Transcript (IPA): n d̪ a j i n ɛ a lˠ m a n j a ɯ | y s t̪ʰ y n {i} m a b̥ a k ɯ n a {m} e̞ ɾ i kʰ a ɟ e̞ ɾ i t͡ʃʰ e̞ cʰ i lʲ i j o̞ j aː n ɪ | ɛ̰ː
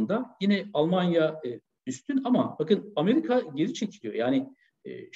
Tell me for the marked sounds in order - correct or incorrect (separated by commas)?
incorrect, correct